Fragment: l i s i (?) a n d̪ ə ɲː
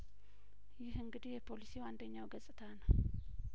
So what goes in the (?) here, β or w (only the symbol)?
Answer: w